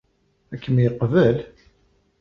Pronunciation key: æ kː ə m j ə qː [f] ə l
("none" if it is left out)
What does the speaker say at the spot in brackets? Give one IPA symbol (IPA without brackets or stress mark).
v